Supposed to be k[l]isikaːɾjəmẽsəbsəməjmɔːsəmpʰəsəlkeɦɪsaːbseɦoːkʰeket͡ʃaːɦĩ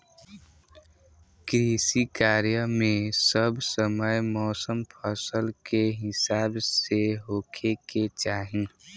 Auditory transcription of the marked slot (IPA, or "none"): ɾ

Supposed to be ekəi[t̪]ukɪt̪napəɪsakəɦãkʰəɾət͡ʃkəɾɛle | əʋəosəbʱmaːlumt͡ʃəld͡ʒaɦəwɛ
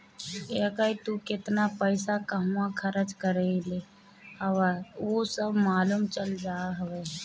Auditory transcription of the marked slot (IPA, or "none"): t̪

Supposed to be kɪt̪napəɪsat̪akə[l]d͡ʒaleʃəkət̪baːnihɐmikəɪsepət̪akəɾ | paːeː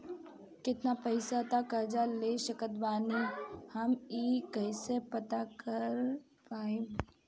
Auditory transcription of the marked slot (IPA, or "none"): ɾ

